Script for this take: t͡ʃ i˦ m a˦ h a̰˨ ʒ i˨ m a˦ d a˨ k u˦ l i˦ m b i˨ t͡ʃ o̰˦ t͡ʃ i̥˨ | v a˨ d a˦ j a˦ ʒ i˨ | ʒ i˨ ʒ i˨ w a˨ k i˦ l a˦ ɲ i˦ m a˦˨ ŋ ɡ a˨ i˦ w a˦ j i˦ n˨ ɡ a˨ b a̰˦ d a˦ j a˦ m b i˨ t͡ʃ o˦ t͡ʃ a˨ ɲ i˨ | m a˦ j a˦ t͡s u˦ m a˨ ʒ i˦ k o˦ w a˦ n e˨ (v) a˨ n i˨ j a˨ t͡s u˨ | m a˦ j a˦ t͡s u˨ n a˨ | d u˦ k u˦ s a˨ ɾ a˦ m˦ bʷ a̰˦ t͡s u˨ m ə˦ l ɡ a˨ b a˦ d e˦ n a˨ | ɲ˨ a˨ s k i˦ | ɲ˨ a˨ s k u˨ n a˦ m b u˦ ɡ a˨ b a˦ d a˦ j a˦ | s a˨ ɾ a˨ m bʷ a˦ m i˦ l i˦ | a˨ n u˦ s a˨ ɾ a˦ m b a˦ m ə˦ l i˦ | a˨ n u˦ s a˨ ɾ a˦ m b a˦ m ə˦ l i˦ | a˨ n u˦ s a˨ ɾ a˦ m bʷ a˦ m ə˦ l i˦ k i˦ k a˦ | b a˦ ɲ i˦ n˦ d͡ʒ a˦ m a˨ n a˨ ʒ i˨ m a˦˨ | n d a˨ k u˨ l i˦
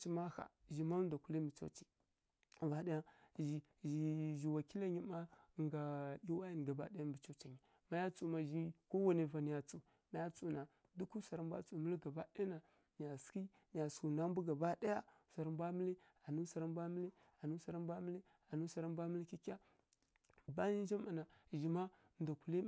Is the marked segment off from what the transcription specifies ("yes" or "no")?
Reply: no